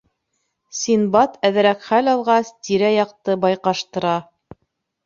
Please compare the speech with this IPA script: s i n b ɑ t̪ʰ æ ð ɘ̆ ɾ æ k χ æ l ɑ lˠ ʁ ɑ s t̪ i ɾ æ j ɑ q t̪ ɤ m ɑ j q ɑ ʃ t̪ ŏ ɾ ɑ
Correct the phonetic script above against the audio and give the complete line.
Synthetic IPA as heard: s i n b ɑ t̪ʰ æ ð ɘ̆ ɾ æ k χ æ l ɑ lˠ ʁ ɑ s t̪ i ɾ æ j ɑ q t̪ ɤ b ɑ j q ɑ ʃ t̪ ɤ̆ ɾ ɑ